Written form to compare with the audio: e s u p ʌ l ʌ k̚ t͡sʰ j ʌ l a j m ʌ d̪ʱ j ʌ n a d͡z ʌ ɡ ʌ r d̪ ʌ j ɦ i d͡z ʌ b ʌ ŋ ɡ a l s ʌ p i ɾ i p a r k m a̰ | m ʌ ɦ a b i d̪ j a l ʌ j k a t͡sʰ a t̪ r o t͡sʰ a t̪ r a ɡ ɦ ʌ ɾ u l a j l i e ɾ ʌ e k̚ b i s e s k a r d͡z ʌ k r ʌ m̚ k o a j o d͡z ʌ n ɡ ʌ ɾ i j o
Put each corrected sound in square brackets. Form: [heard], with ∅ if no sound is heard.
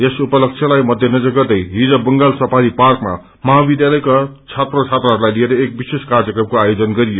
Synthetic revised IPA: e s u p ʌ l ʌ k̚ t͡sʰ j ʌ l a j m ʌ d̪ʱ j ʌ n [ʌ] d͡z ʌ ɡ ʌ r d̪ ʌ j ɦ i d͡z ʌ b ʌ ŋ ɡ a l s ʌ p [a] ɾ i p a r k m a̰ | m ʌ ɦ a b i d̪ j a l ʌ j k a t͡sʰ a t̪ r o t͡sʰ a t̪ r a [∅] ɦ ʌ ɾ u l a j l i e ɾ ʌ e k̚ b i s e s k a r d͡z ʌ k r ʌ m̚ k o a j o d͡z ʌ n ɡ ʌ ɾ i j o